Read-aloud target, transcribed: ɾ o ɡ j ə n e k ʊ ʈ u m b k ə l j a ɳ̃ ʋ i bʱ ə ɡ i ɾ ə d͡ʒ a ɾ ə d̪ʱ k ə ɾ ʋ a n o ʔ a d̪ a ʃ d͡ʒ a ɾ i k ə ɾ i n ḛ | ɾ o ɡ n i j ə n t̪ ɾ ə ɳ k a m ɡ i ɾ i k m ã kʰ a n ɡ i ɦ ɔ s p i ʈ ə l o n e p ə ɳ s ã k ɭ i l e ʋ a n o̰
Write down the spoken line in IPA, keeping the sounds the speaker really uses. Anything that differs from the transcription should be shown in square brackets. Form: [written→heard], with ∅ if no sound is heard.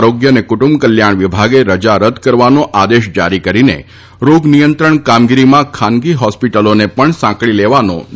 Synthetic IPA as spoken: ɾ o ɡ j ə n e k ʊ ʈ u m b k ə l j a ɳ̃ ʋ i bʱ [ə→a] ɡ [i→e] ɾ ə d͡ʒ a ɾ ə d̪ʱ k ə ɾ ʋ a n o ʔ a d̪ [a→e] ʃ d͡ʒ a ɾ i k ə ɾ i n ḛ | ɾ o ɡ n i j ə n t̪ ɾ ə ɳ k a m ɡ i ɾ i [k→∅] m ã kʰ a n ɡ i ɦ ɔ s p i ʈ ə l o n e p ə ɳ s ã k ɭ i l e ʋ a n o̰